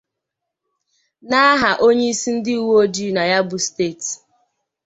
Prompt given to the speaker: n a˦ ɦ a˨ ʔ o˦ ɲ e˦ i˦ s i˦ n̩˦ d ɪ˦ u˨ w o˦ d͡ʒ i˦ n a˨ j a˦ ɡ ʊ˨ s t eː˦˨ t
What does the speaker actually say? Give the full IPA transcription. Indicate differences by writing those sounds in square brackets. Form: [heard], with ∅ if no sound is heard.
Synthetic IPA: n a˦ ɦ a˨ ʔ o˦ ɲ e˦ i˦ s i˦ n̩˦ d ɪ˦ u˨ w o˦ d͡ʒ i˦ n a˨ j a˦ [b] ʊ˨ s t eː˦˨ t